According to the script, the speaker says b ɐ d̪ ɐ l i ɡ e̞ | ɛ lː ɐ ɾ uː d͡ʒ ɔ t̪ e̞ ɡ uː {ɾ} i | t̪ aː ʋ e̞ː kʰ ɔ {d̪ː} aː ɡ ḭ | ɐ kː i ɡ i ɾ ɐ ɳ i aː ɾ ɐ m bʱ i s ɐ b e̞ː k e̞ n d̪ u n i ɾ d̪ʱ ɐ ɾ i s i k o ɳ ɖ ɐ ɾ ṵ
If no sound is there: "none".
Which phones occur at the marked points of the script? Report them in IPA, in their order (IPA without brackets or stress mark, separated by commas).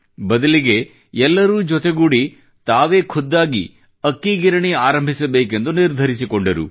ɽ, d̪ː